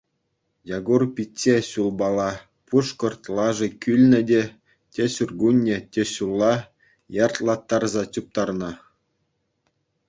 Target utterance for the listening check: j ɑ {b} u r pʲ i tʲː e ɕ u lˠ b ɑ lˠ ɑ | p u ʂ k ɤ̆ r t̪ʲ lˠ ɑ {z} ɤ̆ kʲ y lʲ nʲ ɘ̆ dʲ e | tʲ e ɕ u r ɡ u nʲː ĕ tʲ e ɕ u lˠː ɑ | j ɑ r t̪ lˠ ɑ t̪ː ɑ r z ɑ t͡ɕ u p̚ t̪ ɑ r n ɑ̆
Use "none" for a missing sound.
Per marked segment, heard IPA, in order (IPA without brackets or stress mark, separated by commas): ɡ, ʐ